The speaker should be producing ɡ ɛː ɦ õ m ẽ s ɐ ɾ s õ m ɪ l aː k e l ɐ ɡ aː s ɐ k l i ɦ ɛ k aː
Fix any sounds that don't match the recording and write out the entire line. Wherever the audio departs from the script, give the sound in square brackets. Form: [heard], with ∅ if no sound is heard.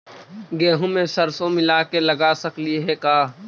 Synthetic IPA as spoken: ɡ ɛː ɦ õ m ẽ s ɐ ɾ s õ m ɪ l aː k e l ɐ ɡ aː s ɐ k l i ɦ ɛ k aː